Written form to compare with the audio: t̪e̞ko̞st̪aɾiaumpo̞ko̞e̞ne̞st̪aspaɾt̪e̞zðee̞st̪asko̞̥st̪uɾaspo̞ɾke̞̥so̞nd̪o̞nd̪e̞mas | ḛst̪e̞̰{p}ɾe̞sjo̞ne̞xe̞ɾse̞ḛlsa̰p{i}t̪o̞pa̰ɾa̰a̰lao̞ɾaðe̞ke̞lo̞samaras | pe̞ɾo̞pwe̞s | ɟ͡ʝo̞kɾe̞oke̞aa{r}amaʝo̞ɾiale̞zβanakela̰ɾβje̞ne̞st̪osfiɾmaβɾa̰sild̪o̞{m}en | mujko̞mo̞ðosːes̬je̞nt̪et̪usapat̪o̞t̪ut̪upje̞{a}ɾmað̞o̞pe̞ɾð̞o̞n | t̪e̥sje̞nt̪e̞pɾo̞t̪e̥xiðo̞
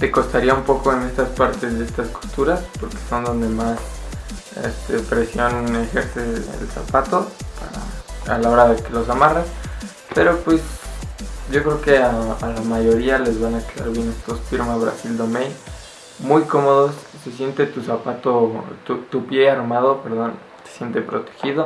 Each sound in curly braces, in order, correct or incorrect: correct, incorrect: a, incorrect: l, correct, correct

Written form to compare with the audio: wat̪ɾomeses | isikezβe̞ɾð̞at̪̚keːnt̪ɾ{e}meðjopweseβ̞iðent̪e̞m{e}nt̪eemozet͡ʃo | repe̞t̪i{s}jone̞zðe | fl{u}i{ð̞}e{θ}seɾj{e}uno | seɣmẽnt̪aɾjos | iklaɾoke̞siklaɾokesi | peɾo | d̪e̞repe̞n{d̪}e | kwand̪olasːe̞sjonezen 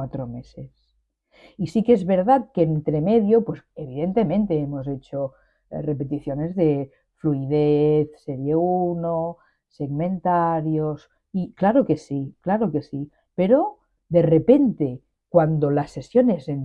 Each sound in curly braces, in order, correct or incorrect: correct, incorrect: ẽ, incorrect: θ, correct, correct, correct, correct, incorrect: t̪

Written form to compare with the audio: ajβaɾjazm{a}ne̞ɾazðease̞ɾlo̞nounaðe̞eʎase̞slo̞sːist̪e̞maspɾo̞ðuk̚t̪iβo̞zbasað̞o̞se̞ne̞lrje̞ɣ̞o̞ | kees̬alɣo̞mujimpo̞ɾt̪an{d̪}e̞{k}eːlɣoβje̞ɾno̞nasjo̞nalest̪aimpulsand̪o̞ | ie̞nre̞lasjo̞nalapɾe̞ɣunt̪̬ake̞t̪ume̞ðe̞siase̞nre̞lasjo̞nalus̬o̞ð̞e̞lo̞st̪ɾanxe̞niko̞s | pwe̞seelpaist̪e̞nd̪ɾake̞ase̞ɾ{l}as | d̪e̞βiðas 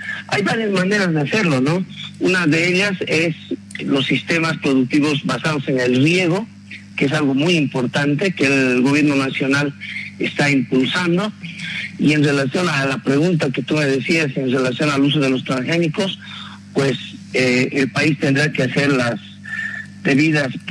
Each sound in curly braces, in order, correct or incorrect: correct, incorrect: t̪, correct, correct

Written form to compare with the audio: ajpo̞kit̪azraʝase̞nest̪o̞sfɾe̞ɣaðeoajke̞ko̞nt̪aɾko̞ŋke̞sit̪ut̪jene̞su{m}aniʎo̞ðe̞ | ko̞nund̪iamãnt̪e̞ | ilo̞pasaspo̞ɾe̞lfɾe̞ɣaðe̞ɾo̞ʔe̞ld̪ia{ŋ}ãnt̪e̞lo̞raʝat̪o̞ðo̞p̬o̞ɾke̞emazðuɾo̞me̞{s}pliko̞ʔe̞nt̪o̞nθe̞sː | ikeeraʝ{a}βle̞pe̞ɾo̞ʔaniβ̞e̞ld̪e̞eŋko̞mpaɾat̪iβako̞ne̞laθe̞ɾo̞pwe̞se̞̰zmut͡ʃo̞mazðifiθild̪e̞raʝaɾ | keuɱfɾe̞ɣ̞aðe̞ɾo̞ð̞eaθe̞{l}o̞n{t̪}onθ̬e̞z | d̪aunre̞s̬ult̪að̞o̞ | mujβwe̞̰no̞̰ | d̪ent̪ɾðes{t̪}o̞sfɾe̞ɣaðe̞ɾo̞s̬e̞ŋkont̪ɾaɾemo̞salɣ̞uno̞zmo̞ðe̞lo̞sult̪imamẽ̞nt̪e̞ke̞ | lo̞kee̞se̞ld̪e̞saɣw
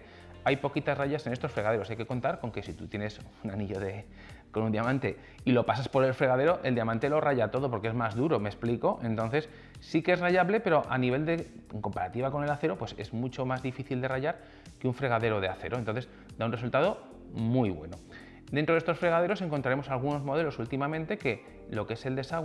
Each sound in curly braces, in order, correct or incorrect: incorrect: n, incorrect: m, correct, correct, incorrect: ɾ, correct, correct

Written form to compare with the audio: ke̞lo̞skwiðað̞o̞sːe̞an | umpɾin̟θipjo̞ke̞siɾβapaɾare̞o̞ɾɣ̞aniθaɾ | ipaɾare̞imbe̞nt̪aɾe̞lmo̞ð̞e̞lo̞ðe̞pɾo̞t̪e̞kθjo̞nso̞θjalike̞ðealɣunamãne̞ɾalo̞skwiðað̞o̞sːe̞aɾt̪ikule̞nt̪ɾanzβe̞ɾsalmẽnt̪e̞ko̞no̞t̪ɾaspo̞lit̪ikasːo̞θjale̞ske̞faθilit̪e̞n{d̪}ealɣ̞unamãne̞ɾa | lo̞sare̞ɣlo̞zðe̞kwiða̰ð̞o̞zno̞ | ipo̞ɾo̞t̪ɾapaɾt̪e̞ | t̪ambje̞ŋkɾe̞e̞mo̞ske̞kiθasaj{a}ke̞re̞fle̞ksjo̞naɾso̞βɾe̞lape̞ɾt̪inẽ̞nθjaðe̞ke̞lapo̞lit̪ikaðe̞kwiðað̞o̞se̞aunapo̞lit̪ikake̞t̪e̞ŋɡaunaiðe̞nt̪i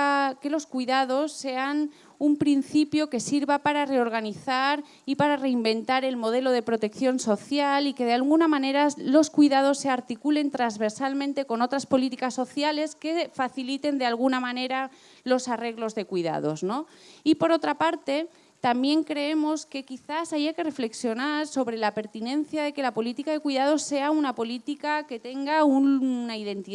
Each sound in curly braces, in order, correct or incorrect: correct, correct

